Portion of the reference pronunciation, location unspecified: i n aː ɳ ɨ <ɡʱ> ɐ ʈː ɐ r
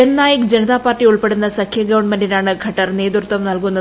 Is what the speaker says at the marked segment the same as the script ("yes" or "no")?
yes